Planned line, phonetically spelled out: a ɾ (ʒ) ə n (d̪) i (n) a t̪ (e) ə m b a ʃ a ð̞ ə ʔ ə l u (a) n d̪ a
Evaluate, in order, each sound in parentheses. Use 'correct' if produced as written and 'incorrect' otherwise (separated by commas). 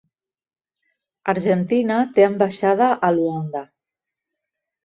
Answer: correct, incorrect, correct, correct, correct